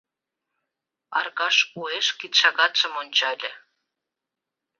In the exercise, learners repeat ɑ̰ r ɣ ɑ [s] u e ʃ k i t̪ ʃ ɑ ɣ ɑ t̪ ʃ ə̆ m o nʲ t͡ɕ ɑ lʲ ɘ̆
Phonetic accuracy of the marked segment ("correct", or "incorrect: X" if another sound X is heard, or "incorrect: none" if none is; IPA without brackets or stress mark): incorrect: ʃ